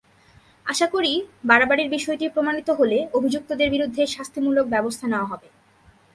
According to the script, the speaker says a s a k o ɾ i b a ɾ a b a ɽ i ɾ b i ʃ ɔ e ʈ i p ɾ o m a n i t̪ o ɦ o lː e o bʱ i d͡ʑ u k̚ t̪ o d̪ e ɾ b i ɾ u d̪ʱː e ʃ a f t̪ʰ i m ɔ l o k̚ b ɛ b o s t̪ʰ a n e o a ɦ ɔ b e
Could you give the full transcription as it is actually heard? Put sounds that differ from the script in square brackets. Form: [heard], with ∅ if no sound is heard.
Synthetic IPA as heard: a [ʃ] a k o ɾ i b a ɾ a b a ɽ i ɾ b i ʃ ɔ e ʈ i p ɾ o m a n i t̪ o ɦ o [l] e o bʱ i d͡ʑ u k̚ t̪ o d̪ e ɾ b i ɾ u d̪ʱː e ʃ a [s] t̪ʰ i m [u] l o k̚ b ɛ b o s t̪ʰ a n e o a ɦ ɔ b e